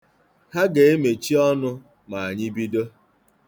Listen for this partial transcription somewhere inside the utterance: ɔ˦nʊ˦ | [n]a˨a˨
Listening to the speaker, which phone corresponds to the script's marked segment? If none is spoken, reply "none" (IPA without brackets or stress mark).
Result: m